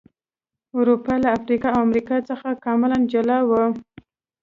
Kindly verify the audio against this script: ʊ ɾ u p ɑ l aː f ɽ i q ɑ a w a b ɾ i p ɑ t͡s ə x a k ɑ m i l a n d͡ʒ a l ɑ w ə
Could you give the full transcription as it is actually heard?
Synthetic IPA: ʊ ɾ u p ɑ l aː f ɾ i k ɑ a w a m ɾ i k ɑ t͡s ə x a k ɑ m ɪ l a n d͡ʒ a l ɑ w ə